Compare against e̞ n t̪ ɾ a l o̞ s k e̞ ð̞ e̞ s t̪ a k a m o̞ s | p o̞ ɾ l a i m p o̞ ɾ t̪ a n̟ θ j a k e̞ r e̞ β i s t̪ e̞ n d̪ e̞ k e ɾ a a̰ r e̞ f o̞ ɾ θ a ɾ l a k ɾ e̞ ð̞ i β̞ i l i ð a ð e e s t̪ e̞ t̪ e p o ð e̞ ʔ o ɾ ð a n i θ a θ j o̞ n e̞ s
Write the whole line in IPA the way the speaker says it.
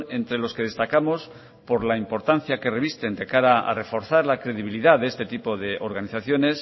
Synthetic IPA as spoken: e̞ n t̪ ɾ e l o̞ s k e̞ ð̞ e̞ s t̪ a k a m o̞ s | p o̞ ɾ l a i m p o̞ ɾ t̪ a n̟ θ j a k e̞ r e̞ β i s t̪ e̞ n d̪ e̞ k a ɾ a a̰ r e̞ f o̞ ɾ θ a ɾ l a k ɾ e̞ ð̞ i β̞ i l i ð a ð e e s t̪ e̞ t̪ i p o ð e̞ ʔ o ɾ ɣ a n i θ a θ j o̞ n e̞ s